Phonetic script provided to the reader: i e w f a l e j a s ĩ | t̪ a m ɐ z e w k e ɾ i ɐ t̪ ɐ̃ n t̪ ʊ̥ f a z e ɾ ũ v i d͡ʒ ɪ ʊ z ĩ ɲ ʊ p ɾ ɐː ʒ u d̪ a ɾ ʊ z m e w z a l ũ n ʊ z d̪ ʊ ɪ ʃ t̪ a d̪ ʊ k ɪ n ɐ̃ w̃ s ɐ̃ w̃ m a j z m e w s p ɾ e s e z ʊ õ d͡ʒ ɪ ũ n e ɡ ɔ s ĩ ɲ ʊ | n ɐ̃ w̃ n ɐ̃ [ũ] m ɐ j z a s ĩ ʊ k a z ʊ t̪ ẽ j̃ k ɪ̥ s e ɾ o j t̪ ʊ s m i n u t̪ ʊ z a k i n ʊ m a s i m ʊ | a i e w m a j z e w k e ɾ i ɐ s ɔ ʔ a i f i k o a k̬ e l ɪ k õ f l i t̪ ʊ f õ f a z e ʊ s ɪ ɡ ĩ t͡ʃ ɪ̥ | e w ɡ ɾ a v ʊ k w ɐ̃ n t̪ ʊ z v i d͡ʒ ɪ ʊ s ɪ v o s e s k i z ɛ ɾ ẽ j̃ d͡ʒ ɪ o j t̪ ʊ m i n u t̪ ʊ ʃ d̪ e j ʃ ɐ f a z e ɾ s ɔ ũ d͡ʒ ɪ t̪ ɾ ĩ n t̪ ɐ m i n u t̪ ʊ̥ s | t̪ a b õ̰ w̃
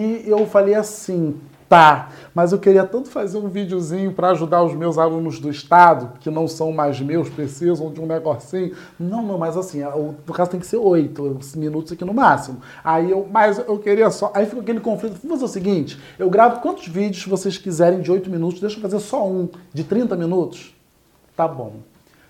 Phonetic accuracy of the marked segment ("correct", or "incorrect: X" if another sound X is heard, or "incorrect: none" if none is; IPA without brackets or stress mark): incorrect: w̃